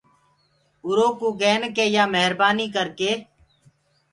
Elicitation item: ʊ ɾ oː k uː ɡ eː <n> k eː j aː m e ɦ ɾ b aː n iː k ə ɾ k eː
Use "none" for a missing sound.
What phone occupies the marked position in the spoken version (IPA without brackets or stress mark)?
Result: n